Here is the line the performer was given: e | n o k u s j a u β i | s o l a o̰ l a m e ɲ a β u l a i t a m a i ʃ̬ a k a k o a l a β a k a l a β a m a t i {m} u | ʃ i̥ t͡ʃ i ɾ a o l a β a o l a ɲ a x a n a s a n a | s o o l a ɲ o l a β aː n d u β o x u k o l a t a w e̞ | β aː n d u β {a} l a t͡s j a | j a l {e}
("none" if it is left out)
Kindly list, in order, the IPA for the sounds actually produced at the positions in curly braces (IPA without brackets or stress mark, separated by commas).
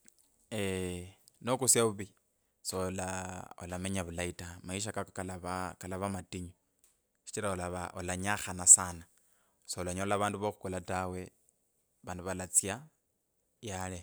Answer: ɲ, a, e